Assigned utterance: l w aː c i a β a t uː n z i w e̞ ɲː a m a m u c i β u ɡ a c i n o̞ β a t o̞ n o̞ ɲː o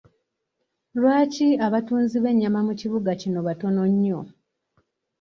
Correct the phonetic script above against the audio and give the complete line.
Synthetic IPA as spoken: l w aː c i a β a t uː n z i β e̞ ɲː a m a m u c i β u ɡ a c i n o̞ β a t o̞ n o̞ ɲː o